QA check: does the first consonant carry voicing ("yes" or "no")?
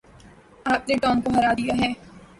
no